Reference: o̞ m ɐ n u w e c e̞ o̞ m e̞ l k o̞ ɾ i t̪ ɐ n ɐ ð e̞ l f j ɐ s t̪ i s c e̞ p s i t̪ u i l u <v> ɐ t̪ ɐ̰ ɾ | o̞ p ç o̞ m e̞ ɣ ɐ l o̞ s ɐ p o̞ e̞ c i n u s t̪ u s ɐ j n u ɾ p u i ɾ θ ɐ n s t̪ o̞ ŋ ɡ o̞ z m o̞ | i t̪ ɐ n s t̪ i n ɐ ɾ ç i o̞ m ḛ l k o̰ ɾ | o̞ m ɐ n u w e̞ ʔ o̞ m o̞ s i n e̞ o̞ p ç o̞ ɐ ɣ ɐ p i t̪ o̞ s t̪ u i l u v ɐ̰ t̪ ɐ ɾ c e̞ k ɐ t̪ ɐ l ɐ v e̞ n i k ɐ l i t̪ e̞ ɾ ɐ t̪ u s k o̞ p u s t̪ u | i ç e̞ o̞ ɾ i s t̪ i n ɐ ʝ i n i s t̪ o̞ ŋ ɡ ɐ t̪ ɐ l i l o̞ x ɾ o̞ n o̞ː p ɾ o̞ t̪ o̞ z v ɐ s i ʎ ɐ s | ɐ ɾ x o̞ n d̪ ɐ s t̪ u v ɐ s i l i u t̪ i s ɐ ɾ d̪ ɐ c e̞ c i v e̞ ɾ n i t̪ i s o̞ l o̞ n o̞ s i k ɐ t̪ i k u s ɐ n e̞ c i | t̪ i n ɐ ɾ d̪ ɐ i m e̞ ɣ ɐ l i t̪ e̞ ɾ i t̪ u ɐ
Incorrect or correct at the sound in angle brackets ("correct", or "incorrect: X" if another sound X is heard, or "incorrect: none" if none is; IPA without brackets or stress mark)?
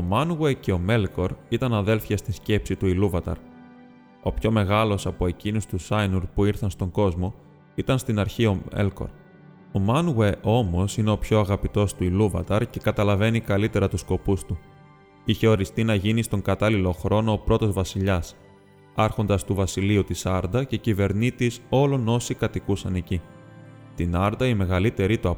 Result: correct